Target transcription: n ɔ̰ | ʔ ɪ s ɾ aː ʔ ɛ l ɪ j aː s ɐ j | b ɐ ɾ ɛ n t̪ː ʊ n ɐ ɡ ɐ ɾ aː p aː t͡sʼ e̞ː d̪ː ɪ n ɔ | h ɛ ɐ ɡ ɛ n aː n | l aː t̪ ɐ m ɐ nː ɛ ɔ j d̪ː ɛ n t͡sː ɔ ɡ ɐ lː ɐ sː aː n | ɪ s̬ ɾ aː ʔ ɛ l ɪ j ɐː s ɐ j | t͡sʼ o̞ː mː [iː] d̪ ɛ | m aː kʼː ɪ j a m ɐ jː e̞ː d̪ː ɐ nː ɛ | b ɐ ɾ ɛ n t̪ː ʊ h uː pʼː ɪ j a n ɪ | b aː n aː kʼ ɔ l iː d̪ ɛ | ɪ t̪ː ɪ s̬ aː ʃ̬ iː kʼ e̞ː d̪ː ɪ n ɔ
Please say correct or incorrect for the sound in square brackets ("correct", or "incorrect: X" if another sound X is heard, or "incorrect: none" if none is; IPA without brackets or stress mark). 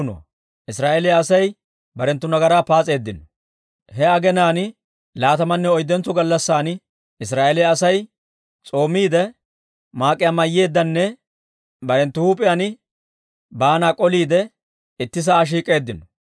correct